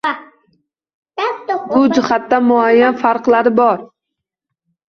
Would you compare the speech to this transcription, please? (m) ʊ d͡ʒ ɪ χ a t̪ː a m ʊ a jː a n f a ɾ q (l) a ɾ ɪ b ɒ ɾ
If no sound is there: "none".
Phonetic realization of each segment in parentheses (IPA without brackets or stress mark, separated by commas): b, l